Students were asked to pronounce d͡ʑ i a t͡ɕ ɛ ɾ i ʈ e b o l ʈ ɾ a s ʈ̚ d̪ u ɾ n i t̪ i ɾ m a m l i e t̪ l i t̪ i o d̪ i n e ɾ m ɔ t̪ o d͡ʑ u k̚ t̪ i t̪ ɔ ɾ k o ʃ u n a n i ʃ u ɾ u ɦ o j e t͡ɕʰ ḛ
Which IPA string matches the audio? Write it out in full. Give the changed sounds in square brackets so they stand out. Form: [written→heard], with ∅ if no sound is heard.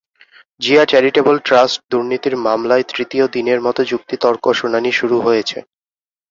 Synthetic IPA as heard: d͡ʑ i a t͡ɕ ɛ ɾ i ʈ e b o l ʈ ɾ a s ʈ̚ d̪ u ɾ n i t̪ i ɾ m a m l [i→a] e t̪ [l→ɾ] i t̪ i o d̪ i n e ɾ m ɔ t̪ o d͡ʑ u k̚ t̪ i t̪ ɔ ɾ k o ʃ u n a n i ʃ u ɾ u ɦ o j e t͡ɕʰ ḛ